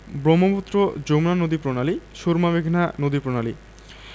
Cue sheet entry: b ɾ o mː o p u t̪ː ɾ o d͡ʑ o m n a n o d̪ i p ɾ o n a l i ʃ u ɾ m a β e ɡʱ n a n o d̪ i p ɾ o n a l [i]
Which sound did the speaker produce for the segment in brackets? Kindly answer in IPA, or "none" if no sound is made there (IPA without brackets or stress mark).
i